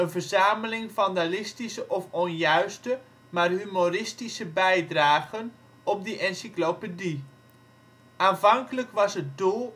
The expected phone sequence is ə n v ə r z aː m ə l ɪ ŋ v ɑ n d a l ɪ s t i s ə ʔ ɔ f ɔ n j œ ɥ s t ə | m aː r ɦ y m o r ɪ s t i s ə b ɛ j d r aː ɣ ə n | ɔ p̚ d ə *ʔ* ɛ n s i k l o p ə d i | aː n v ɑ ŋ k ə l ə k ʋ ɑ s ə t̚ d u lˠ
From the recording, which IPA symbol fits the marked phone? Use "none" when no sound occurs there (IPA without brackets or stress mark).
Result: ʔ